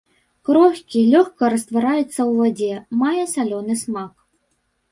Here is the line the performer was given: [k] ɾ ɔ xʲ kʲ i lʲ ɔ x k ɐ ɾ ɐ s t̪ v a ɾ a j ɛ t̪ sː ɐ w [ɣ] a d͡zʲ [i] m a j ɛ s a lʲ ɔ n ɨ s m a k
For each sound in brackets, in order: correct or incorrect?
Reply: correct, incorrect, incorrect

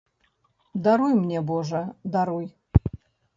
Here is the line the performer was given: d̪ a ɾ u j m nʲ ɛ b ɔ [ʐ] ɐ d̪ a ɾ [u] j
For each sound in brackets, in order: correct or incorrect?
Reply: correct, correct

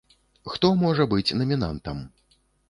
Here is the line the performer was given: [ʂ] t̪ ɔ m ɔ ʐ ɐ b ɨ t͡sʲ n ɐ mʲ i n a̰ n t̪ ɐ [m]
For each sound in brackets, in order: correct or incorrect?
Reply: incorrect, correct

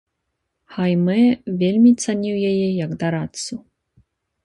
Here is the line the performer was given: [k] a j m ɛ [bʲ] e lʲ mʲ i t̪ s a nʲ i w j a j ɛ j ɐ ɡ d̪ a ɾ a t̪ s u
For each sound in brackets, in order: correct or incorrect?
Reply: incorrect, incorrect

